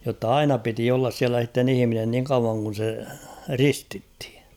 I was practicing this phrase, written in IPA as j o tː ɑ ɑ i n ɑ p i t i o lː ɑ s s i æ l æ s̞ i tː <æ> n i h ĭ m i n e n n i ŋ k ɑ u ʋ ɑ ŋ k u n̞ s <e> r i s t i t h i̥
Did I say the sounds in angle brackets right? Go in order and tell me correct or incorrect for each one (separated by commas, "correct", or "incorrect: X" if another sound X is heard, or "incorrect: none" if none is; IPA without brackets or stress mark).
incorrect: e, correct